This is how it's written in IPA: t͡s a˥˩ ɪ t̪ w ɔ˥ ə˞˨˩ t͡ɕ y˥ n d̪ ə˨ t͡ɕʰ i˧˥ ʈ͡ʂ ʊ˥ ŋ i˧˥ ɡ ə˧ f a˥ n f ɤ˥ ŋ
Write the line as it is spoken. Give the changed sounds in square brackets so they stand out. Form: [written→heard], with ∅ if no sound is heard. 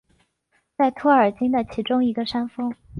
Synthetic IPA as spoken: t͡s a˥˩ ɪ [t̪→t̪ʰ] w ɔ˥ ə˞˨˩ t͡ɕ [y˥→i˥] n d̪ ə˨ t͡ɕʰ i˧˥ ʈ͡ʂ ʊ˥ ŋ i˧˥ ɡ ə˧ [f→ʂ] a˥ n f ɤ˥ ŋ